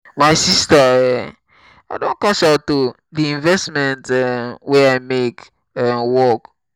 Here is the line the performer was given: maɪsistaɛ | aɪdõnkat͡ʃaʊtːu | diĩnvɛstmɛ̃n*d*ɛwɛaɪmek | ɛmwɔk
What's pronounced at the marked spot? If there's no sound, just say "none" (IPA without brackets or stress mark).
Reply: t